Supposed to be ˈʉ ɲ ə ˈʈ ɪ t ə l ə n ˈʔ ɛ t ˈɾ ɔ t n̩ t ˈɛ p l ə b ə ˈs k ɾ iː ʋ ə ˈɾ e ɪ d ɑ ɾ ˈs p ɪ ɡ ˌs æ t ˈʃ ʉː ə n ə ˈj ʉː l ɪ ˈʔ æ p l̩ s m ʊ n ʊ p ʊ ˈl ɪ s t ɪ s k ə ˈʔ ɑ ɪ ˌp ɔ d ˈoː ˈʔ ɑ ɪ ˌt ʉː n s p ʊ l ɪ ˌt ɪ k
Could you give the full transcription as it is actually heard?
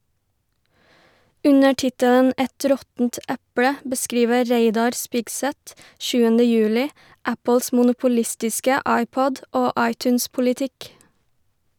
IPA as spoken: ˈʉ ɲ ə ˈʈ ɪ t ə l ə n ˈʔ ɛ t ˈɾ ɔ t n̩ t ˈæ p ɽ ə b ə ˈs k ɾ iː ʋ ə ˈɾ e ɪ d ɑ ɾ ˈs p ɪ ɡ ˌs æ t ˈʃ ʉː ə n ə ˈj ʉː l ɪ ˈʔ æ p l̩ s m ʊ n ʊ p ʊ ˈl ɪ s t ɪ s k ə ˈʔ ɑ ɪ ˌp ɔ d ˈoː ˈʔ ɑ ɪ ˌt ʉː n s p ʊ l ɪ ˌt ɪ k

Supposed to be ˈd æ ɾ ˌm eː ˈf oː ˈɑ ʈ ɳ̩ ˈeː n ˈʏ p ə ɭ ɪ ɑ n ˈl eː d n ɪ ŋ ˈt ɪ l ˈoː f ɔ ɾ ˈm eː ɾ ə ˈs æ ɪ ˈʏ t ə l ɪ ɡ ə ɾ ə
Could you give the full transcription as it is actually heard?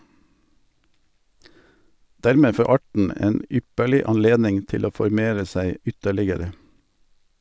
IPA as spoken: ˈd æ ɾ ˌm eː ˈf oː ˈɑ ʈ ɳ̩ ˈeː n ˈʏ p ə ɭ ɪ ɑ n ˈl eː d n ɪ ŋ ˈt ɪ l ˈoː f ɔ ɾ ˈm eː ɾ ə ˈs æ ɪ ˈʏ t ə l ɪ ɡ ə ɾ ə

